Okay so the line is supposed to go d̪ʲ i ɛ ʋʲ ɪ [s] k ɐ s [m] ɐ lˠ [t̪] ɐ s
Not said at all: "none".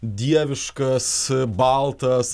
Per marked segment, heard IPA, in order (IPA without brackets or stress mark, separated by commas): ʃ, b, t̪